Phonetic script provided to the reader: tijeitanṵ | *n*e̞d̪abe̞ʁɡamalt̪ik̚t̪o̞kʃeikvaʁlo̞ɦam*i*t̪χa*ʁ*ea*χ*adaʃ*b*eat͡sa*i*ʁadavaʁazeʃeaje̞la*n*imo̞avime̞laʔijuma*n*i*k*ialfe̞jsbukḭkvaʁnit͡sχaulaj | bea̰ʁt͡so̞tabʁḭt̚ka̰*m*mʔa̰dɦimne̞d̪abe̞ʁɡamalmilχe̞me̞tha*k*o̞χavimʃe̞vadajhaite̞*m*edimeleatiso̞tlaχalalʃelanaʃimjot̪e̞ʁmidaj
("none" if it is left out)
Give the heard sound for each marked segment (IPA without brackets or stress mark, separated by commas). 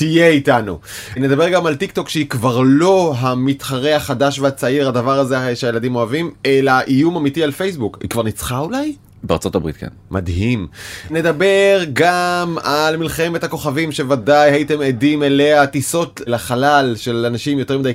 n, i, ʁ, χ, v, i, d, m, t, n, k, m